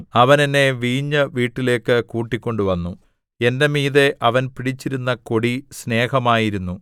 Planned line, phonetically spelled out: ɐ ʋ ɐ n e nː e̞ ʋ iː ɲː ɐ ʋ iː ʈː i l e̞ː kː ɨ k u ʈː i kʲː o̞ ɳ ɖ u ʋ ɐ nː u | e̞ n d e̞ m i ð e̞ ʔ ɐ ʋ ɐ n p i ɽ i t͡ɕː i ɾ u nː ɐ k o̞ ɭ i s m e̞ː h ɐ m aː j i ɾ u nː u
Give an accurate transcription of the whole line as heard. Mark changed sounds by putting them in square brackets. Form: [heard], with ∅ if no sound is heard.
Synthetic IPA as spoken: ɐ ʋ ɐ n e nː e̞ ʋ iː ɲː ɐ ʋ iː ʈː i l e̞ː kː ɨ k [uː] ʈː i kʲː o̞ ɳ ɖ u ʋ ɐ nː u | e̞ n d e̞ m [iː] ð e̞ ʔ ɐ ʋ ɐ n p i ɽ i t͡ɕː i ɾ u nː ɐ k o̞ [ɽ] i s [n] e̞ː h ɐ m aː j i ɾ u nː u

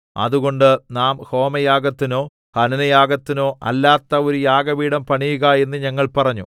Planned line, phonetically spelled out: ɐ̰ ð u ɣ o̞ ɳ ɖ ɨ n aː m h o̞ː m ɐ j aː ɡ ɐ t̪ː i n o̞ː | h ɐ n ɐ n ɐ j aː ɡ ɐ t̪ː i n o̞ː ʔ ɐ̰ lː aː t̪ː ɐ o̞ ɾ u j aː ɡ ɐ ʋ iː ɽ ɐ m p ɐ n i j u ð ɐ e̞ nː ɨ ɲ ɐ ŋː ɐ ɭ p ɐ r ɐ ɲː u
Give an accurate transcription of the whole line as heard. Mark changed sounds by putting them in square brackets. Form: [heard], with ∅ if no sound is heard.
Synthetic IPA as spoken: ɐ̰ ð u ɣ o̞ ɳ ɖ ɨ n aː m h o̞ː m ɐ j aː ɡ ɐ t̪ː i n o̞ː | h ɐ n ɐ n ɐ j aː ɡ ɐ t̪ː i n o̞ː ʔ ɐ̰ lː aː t̪ː ɐ o̞ ɾ u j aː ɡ ɐ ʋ iː ɽ ɐ m p ɐ [ɳ] i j u [ɣ] ɐ e̞ nː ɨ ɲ ɐ ŋː ɐ ɭ p ɐ r ɐ ɲː u

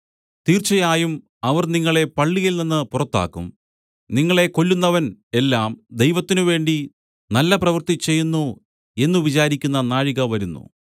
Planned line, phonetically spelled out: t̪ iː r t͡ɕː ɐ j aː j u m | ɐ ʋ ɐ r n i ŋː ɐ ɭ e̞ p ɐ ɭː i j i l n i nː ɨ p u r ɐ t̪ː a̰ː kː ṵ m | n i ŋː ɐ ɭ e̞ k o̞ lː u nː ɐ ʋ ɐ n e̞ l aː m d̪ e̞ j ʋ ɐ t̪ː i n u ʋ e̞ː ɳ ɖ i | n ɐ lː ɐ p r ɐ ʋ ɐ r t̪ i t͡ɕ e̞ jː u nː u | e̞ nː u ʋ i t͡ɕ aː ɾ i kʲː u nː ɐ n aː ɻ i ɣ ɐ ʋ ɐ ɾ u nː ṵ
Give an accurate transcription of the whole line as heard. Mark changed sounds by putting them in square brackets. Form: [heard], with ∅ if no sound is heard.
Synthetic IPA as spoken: t̪ iː r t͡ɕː ɐ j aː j u m | ɐ ʋ ɐ r n i ŋː ɐ ɭ e̞ p ɐ ɭː i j i l n i nː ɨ p u r ɐ t̪ː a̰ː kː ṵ m | n i ŋː ɐ ɭ e̞ k o̞ lː u nː ɐ ʋ ɐ n e̞ [lː] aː m d̪ e̞ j ʋ ɐ t̪ː i n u ʋ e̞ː ɳ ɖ i | n ɐ lː ɐ p r ɐ ʋ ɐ r t̪ i t͡ɕ e̞ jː u nː u | e̞ nː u ʋ i t͡ɕ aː ɾ i kʲː u nː ɐ n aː ɻ i ɣ ɐ ʋ ɐ ɾ u nː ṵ

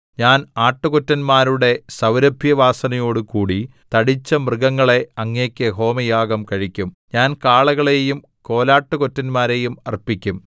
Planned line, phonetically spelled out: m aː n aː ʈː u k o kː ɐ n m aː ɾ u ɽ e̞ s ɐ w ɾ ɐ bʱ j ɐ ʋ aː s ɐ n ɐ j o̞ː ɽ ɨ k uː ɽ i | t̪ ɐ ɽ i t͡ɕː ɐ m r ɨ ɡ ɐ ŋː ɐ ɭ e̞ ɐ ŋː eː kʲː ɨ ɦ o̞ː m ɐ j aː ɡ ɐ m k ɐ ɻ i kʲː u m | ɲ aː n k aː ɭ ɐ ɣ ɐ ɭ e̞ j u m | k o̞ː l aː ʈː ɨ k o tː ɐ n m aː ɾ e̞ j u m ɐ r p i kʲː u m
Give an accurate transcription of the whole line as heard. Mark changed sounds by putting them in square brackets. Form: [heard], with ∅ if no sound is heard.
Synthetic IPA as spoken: [ɲ] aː n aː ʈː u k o [tː] ɐ n m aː ɾ u ɽ e̞ s ɐ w ɾ ɐ bʱ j ɐ ʋ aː s ɐ n ɐ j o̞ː ɽ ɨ k uː ɽ i | t̪ ɐ ɽ i t͡ɕː ɐ m r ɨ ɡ ɐ ŋː ɐ ɭ e̞ ɐ ŋː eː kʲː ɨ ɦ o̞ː m ɐ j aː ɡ ɐ m k ɐ ɻ i kʲː u m | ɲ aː n k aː ɭ ɐ ɣ ɐ ɭ e̞ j u m | k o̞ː l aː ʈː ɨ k o tː ɐ n m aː ɾ e̞ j u m ɐ r p i kʲː u m

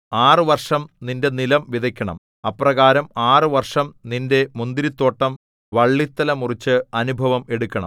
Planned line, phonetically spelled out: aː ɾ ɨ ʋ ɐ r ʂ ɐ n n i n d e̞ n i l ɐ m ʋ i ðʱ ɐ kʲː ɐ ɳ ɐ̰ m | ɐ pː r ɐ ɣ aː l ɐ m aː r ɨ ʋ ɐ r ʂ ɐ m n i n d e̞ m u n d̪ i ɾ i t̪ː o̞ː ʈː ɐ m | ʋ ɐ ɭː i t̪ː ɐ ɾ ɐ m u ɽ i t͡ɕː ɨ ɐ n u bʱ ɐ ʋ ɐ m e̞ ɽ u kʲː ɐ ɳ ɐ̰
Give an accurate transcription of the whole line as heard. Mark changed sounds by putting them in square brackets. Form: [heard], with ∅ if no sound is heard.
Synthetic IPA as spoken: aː [r] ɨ ʋ ɐ r ʂ ɐ [m] n i n d e̞ n i l ɐ m ʋ i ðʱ ɐ kʲː ɐ ɳ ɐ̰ m | ɐ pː r ɐ ɣ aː [ɾ] ɐ m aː r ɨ ʋ ɐ r ʂ ɐ m n i n d e̞ m u n d̪ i ɾ i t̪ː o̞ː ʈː ɐ m | ʋ ɐ ɭː i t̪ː ɐ [l] ɐ m u [r] i t͡ɕː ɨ ɐ n u bʱ ɐ ʋ ɐ m e̞ ɽ u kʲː ɐ ɳ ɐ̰

